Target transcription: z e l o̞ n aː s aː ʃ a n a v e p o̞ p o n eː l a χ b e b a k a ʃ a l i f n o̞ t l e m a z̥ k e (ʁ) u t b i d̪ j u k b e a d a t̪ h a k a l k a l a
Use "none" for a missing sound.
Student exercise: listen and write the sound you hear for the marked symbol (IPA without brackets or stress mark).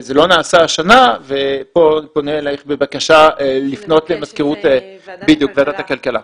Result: ʁ